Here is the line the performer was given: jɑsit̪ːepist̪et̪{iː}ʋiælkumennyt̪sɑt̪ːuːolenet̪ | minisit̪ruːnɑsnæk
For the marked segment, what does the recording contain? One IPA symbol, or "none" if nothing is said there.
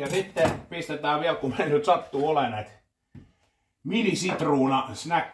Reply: æː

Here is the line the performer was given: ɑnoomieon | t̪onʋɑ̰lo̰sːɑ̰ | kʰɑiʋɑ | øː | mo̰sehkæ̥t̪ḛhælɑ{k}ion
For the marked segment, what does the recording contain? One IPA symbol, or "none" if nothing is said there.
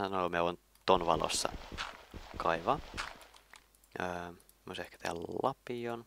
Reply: p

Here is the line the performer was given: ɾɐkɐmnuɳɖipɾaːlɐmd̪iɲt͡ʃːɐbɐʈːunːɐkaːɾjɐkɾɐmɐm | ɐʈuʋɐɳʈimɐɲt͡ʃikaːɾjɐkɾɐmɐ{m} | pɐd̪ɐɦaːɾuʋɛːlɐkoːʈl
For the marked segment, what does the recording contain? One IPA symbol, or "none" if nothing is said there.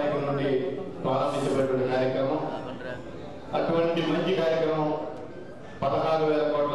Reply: m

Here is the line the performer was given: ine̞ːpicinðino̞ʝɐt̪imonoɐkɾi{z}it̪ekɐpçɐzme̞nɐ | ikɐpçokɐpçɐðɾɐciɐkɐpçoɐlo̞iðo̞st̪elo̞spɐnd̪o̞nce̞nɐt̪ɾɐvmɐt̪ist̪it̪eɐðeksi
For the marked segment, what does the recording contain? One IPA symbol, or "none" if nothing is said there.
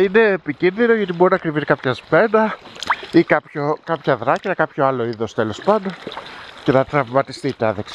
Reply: v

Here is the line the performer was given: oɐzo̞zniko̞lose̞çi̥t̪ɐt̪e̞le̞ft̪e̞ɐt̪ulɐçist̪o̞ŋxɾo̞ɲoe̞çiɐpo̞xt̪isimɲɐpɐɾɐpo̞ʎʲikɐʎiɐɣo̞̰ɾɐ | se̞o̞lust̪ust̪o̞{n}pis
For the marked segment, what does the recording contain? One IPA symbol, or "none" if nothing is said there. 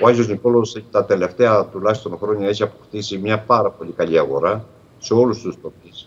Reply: none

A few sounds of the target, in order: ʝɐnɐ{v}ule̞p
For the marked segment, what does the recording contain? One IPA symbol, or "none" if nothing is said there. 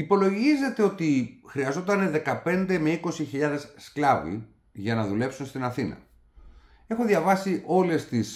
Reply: ð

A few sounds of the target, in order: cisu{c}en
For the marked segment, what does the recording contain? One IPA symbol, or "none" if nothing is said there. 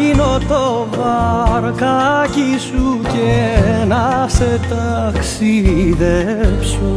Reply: c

